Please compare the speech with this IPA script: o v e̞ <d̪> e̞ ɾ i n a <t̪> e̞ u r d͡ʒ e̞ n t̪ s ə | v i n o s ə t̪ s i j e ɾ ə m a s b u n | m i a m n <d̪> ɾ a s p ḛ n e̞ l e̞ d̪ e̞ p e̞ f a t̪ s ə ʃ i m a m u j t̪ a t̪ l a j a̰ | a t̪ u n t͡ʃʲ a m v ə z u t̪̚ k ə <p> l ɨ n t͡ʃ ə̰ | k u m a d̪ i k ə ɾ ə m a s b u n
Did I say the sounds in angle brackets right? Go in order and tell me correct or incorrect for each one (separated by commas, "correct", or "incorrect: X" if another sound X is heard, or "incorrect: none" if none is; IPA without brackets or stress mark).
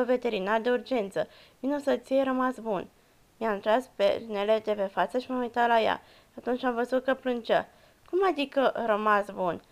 incorrect: t̪, incorrect: d̪, incorrect: t̪, correct